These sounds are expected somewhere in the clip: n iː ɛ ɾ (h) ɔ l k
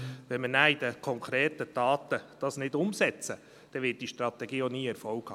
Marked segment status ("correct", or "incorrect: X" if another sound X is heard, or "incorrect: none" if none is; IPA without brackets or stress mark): incorrect: f